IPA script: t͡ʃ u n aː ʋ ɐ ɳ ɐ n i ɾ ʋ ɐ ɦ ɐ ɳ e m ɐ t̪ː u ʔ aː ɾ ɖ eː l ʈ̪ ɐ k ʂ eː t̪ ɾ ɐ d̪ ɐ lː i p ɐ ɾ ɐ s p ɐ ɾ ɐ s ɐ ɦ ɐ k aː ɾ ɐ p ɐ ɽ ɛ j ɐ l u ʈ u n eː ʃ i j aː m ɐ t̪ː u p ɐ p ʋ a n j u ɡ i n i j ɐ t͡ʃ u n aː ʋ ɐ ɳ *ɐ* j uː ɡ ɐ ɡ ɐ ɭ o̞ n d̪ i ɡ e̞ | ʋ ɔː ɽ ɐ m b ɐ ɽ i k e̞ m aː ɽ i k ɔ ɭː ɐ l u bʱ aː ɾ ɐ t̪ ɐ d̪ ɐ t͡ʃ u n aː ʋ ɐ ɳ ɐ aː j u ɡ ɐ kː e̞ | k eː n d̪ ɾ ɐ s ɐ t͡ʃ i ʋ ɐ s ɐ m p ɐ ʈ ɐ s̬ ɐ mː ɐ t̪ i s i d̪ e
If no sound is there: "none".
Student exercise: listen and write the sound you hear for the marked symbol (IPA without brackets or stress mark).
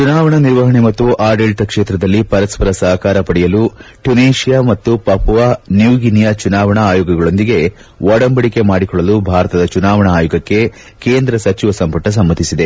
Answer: ɐː